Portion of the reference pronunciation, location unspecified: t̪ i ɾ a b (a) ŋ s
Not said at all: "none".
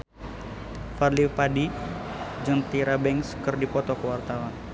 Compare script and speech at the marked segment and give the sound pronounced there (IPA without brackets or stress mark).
ɛ